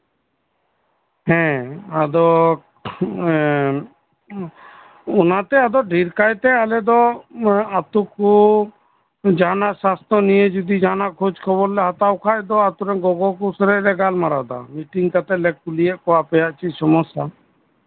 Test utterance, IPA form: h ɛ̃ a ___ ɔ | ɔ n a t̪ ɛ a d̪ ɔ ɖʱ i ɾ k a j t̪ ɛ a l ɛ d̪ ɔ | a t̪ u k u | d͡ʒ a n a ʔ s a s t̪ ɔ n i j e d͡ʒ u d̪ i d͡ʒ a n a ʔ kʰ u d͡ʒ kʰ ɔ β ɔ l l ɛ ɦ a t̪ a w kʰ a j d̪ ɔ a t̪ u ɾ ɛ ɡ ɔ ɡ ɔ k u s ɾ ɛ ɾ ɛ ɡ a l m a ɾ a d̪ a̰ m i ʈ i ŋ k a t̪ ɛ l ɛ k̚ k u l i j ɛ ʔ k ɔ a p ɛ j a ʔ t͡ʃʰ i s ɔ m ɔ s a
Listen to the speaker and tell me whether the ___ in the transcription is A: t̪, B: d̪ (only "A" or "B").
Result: B